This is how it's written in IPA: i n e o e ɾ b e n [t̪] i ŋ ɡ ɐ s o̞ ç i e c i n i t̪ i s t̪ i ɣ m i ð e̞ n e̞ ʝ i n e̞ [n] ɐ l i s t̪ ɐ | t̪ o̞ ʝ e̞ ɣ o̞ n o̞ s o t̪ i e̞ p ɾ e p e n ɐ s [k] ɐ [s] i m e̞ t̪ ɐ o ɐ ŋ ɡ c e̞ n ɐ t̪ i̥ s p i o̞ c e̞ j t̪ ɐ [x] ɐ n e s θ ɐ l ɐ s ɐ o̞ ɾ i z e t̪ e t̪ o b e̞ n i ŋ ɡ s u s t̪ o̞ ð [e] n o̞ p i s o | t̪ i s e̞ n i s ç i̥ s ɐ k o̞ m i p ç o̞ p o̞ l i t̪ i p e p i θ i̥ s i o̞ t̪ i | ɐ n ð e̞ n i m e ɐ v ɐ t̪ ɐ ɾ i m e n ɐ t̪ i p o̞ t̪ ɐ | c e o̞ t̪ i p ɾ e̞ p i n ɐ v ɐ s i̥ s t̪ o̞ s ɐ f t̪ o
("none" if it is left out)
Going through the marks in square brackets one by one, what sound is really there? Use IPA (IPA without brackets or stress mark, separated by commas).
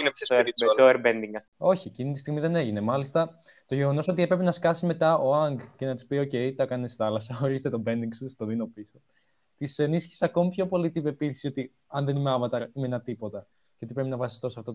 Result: d̪, m, k, s, k, i